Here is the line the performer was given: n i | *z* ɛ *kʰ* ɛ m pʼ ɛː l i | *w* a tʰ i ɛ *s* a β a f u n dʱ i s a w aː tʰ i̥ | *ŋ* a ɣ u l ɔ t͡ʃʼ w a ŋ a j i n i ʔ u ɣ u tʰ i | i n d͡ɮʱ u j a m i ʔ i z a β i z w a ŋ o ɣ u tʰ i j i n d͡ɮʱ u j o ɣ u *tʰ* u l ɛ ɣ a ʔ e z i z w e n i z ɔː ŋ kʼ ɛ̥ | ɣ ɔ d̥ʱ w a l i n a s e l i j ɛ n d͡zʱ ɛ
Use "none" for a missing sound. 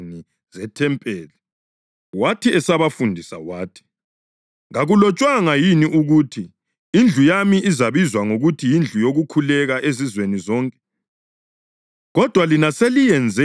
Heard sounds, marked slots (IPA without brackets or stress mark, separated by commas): z, tʰ, w, s, ŋ, kʰ